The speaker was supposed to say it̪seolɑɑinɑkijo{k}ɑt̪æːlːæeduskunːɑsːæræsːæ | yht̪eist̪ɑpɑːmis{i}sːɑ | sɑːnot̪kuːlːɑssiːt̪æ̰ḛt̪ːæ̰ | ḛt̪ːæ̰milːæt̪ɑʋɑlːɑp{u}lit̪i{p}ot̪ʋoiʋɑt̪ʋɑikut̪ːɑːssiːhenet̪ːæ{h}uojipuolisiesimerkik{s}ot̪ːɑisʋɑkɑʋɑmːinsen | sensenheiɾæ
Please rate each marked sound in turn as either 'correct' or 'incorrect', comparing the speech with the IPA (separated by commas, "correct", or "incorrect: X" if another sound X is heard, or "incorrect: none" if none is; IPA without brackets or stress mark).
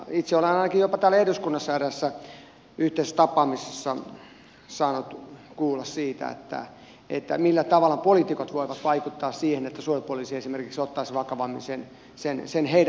incorrect: p, incorrect: e, incorrect: o, incorrect: k, incorrect: s, correct